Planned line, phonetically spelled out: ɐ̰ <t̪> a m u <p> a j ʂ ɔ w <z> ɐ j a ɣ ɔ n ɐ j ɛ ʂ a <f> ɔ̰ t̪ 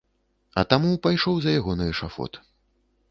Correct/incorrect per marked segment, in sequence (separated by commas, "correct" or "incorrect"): correct, correct, correct, correct